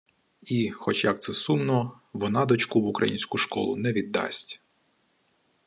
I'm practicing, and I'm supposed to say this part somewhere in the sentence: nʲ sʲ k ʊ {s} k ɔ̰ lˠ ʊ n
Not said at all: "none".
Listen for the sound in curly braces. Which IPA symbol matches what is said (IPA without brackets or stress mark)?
ʃ